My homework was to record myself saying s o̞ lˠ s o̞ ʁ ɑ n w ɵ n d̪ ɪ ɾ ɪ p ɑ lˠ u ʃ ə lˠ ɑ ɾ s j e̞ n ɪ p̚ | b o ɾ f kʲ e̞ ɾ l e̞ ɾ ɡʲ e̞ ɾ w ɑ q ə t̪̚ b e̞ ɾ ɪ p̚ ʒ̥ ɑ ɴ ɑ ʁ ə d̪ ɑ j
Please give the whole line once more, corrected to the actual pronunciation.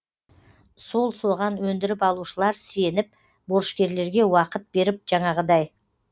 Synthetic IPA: s o̞ lˠ s o̞ ʁ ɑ n w ɵ n d̪ ɪ ɾ ɪ p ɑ lˠ u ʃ ə lˠ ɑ ɾ s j e̞ n ɪ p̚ | b o ɾ ʃ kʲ e̞ ɾ l e̞ ɾ ɡʲ e̞ w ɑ q ə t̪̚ b e̞ ɾ ɪ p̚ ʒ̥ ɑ ɴ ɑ ʁ ə d̪ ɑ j